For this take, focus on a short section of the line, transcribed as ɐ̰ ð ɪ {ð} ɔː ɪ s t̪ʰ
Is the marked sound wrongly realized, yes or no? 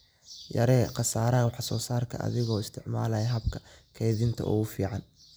yes